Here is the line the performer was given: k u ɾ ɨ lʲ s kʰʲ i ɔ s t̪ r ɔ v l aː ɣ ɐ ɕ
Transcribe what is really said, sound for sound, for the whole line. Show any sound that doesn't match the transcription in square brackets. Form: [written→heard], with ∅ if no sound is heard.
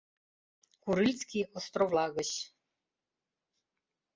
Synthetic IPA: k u ɾ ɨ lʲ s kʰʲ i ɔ s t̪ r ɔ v l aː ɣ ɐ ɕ